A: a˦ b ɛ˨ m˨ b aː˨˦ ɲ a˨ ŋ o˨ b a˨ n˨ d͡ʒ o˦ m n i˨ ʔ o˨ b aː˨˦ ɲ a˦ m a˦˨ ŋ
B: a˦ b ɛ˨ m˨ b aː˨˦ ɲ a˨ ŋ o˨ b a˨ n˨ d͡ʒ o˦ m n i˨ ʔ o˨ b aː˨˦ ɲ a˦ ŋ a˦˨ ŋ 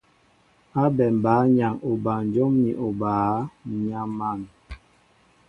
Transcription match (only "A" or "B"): A